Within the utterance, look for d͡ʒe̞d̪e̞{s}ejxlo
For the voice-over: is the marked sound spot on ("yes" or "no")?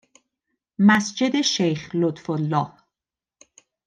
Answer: no